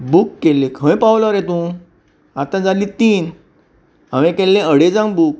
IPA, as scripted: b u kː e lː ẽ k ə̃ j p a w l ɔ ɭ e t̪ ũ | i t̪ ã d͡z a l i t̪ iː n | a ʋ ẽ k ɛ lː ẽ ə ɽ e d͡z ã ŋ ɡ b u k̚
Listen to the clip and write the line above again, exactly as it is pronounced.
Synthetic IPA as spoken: b u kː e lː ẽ kʰ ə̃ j p a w l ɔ ɾ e t̪ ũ | a t̪ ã d͡z a l i t̪ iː n | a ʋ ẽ k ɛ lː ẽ ə ɽ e d͡z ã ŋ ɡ b u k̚